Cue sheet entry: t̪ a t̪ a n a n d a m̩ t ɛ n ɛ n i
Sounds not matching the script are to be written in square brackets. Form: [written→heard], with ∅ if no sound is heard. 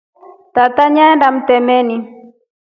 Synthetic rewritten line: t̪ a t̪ a [n→ɲ] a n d a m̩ t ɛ [n→m] ɛ n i